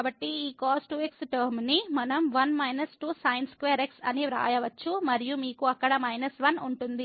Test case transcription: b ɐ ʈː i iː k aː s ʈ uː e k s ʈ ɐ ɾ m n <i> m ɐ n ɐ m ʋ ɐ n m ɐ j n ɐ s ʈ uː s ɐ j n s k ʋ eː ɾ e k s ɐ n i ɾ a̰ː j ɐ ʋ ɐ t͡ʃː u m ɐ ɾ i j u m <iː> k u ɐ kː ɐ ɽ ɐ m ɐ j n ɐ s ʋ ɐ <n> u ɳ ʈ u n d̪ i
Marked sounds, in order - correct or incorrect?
correct, correct, correct

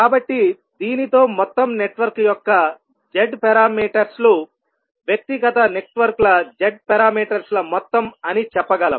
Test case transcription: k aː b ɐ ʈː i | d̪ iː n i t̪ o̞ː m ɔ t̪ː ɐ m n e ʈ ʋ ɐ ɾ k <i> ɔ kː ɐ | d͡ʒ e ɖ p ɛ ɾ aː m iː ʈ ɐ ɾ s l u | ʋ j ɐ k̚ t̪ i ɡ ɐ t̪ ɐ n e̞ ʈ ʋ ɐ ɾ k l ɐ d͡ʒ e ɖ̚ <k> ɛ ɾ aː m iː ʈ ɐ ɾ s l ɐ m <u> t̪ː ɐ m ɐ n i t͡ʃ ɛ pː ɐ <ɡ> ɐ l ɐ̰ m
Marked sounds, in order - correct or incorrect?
incorrect, incorrect, incorrect, correct

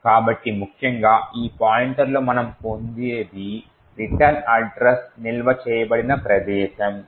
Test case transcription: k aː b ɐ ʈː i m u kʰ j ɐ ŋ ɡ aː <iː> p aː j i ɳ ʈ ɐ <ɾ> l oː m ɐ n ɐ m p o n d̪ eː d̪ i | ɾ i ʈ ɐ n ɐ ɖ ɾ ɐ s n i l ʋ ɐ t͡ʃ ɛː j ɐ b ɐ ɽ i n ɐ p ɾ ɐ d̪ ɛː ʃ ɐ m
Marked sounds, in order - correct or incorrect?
correct, correct

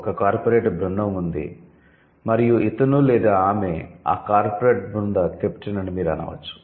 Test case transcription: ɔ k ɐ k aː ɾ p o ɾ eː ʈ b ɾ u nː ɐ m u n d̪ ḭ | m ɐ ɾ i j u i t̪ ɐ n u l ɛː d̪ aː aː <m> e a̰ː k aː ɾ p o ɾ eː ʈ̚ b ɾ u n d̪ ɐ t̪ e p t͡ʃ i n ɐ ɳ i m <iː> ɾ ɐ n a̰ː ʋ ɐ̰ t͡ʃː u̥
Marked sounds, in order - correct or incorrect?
correct, correct

